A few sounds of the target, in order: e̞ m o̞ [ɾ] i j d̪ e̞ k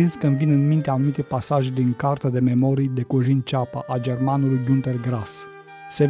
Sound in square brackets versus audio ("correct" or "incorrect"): correct